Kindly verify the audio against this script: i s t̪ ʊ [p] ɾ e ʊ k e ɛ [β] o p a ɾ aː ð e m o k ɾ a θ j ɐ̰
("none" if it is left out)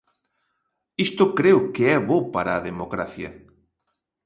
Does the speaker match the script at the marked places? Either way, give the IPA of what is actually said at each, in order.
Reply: k, β

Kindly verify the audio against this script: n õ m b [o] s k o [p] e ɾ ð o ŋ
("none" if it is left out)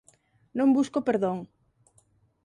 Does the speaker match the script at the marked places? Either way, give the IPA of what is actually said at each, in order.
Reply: u, p

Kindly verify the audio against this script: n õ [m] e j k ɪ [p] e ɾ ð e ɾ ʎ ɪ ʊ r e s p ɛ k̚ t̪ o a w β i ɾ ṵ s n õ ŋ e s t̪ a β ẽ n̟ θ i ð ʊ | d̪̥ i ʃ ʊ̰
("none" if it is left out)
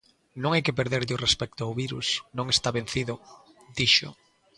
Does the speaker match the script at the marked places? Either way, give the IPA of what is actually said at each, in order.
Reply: ŋ, p

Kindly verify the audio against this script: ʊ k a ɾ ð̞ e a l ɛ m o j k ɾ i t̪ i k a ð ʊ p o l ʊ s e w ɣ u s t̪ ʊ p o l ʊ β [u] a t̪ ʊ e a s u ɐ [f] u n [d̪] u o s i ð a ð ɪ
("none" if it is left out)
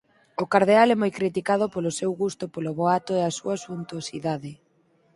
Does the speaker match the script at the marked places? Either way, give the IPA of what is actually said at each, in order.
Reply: o, s, t̪

